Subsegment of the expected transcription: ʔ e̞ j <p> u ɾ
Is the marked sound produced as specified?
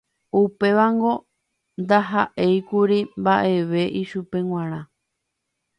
no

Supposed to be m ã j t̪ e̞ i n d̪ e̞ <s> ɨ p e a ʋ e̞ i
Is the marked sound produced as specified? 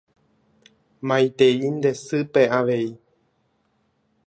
yes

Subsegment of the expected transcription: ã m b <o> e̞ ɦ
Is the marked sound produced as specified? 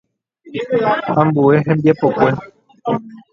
no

